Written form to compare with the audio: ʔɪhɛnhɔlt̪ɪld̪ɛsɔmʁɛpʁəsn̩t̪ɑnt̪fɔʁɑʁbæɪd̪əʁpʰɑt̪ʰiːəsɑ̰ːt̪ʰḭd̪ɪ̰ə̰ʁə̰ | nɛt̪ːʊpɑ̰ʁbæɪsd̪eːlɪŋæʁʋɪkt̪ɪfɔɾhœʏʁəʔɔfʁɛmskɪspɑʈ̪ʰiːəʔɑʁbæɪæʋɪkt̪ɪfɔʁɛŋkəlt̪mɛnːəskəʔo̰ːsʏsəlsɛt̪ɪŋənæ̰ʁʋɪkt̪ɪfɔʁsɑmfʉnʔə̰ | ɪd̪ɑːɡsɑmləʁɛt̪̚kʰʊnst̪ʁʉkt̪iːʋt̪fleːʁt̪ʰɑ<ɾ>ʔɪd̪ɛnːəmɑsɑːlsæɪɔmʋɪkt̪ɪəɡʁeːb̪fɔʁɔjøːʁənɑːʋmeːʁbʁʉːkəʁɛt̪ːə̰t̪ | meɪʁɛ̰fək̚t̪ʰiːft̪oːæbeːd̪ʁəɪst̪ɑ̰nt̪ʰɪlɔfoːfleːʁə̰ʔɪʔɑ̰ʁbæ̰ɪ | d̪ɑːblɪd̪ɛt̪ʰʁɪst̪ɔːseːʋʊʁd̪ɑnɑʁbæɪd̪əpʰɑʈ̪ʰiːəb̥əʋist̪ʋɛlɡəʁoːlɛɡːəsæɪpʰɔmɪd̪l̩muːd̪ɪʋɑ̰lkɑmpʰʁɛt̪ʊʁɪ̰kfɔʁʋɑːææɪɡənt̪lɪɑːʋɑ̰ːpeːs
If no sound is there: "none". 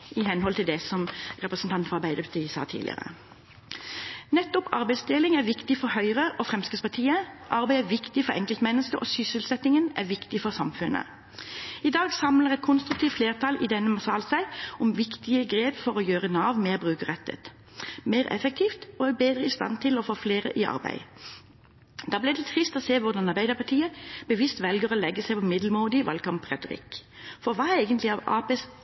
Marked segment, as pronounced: l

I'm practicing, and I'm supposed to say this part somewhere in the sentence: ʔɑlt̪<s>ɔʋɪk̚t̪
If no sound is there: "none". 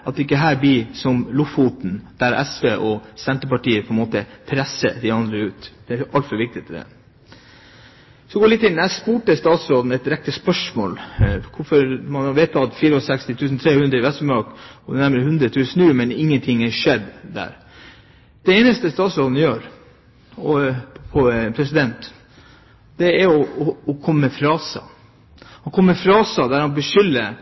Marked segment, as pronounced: f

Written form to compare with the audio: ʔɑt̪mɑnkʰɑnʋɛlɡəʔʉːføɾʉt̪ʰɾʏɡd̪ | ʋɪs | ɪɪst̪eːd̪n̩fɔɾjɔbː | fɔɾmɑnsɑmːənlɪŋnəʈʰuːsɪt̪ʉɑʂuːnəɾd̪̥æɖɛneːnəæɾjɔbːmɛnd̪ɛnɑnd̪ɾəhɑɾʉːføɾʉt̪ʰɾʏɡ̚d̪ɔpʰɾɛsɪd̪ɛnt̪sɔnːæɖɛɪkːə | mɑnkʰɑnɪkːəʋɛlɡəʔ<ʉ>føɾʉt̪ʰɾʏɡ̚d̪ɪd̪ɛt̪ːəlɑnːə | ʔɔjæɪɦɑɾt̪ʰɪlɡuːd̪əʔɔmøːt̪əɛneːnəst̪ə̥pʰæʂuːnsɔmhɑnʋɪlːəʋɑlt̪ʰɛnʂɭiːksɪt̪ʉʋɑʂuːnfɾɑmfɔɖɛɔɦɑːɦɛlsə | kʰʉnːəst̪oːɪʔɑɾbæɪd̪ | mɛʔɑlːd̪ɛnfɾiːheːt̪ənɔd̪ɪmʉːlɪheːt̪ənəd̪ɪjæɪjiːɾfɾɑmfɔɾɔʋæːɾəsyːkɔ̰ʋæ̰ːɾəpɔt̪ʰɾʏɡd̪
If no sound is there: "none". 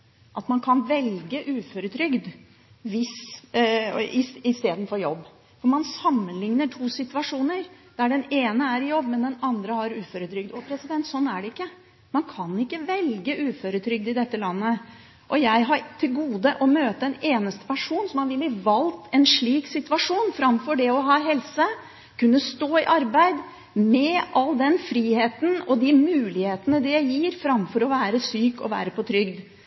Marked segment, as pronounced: ʉː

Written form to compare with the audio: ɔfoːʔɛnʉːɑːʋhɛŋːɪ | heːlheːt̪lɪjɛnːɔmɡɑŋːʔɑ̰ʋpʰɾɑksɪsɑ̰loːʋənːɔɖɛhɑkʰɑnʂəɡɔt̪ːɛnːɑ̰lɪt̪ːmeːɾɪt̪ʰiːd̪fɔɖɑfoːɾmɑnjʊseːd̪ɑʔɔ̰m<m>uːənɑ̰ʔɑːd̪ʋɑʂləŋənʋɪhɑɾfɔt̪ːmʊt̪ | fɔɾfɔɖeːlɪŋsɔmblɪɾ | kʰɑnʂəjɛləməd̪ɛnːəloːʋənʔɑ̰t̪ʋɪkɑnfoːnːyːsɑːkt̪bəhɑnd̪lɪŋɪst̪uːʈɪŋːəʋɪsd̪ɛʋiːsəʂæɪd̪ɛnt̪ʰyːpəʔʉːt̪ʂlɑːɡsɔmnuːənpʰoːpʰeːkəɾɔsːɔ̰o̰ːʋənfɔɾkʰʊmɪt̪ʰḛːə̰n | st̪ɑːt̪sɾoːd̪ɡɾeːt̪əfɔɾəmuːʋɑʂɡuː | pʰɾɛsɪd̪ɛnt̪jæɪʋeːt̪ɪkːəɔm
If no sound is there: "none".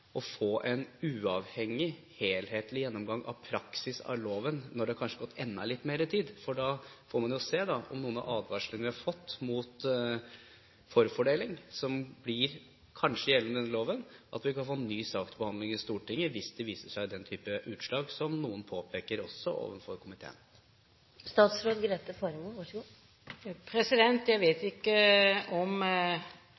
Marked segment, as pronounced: n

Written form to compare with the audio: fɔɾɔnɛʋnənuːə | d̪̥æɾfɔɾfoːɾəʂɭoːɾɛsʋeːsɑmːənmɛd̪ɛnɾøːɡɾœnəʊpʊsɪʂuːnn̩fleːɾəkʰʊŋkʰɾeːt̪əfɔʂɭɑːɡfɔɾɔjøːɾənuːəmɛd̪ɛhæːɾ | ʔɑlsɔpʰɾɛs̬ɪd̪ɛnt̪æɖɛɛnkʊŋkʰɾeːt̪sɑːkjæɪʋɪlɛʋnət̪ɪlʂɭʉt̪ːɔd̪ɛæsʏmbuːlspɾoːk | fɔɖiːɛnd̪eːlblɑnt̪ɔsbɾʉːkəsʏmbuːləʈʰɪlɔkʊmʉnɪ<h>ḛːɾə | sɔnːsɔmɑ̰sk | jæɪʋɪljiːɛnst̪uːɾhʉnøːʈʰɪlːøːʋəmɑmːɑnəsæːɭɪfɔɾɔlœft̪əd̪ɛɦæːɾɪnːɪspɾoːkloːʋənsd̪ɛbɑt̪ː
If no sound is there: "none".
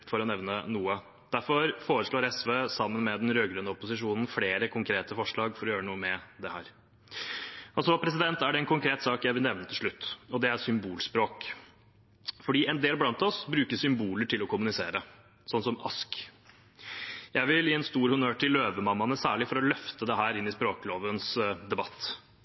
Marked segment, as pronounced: s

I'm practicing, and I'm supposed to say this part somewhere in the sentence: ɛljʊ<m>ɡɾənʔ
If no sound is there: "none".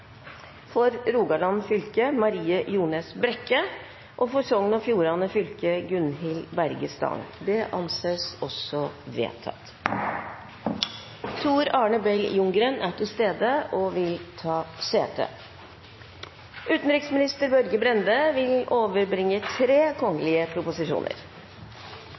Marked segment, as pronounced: ŋ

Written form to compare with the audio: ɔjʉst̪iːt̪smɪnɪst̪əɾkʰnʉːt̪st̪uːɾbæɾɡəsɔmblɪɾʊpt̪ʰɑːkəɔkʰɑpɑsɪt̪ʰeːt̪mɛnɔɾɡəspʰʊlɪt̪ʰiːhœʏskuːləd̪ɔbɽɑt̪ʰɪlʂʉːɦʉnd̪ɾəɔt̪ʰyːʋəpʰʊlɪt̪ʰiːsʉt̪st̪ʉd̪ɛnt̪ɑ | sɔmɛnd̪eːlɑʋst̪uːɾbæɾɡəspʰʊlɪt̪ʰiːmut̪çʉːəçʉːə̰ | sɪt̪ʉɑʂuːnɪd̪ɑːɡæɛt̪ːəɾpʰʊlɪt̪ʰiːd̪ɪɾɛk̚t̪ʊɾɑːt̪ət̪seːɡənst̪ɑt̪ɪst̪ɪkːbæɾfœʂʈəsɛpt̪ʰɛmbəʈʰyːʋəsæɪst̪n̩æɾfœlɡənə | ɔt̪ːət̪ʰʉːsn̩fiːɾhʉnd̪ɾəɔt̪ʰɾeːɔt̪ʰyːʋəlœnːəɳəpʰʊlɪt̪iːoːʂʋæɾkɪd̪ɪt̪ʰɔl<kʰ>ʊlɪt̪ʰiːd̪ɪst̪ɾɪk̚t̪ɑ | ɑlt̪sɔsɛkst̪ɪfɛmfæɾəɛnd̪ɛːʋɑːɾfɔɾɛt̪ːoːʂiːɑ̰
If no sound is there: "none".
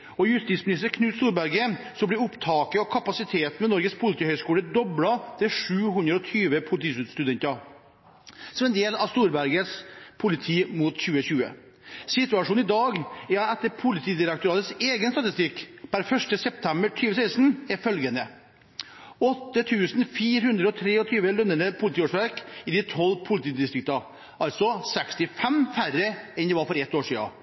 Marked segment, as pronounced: pʰ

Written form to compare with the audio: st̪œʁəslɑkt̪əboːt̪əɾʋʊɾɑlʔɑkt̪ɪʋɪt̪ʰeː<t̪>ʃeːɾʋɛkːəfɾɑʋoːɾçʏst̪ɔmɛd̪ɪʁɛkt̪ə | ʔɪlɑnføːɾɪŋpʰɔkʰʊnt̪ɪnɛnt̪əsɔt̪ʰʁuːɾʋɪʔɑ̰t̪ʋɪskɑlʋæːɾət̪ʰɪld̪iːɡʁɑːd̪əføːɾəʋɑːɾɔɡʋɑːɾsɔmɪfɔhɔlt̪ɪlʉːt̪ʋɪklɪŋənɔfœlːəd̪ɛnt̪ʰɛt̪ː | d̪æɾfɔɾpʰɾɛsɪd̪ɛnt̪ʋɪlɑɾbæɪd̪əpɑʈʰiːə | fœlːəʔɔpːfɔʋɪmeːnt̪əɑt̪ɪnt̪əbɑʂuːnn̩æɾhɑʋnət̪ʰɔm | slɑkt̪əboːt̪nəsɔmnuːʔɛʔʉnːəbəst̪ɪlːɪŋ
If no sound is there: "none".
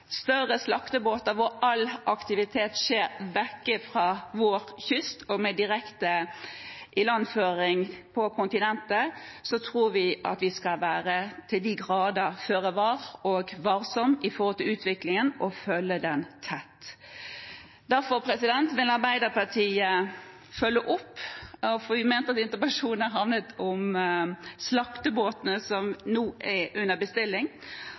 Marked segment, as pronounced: t̪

